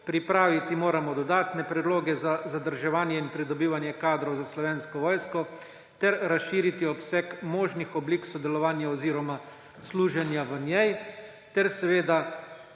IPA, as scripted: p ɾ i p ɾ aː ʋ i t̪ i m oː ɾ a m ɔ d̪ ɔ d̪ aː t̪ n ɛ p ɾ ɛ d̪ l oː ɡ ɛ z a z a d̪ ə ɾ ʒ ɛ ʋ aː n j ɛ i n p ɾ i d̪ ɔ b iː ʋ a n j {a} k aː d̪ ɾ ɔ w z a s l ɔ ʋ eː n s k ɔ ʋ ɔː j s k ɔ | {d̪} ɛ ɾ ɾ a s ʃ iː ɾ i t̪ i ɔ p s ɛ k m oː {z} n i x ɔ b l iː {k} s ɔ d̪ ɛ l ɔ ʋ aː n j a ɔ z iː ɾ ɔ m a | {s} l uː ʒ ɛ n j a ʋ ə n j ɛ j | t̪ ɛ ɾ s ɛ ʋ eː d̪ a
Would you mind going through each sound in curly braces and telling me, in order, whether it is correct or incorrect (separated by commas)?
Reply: incorrect, incorrect, incorrect, correct, correct